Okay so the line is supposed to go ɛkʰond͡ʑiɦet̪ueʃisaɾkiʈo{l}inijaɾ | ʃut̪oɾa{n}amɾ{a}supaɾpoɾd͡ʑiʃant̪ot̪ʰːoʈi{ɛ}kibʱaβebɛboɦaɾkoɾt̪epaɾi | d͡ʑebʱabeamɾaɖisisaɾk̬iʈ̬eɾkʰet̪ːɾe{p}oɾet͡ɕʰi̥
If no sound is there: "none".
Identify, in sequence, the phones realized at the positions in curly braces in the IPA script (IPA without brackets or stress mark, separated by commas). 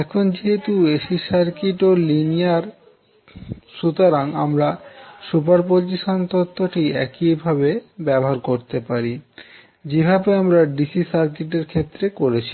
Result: l, ŋ, a, ɛ, k